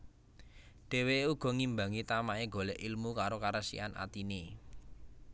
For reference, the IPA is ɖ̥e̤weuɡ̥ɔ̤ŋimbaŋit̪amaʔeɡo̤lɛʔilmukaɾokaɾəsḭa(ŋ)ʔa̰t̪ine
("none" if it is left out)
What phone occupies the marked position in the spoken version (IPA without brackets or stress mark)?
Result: n